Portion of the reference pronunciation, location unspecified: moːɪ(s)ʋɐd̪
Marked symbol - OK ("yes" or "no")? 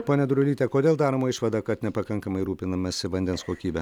no